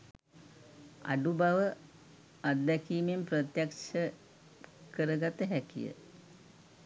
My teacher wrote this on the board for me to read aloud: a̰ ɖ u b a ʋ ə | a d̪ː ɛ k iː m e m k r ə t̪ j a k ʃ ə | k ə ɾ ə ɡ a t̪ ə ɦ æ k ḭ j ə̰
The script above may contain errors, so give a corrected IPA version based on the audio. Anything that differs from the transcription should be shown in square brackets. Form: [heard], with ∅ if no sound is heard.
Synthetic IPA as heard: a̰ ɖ u b a ʋ ə | a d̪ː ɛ k iː m e m [p] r ə t̪ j a k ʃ ə | k ə ɾ ə ɡ a t̪ ə ɦ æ k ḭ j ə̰